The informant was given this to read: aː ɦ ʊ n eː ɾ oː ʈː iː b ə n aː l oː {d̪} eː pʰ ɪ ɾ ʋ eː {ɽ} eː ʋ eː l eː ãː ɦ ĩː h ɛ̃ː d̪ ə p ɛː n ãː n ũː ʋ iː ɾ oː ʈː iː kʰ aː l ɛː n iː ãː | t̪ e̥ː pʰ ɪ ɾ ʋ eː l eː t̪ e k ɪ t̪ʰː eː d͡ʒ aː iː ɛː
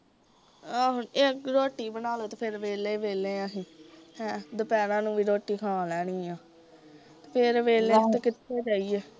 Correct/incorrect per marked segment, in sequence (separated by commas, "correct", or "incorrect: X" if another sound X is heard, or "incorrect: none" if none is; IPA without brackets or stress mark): incorrect: t̪, incorrect: l